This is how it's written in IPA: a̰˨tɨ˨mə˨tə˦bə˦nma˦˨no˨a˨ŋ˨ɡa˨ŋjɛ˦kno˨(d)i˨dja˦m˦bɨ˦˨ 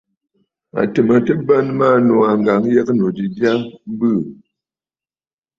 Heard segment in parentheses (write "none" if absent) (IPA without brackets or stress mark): d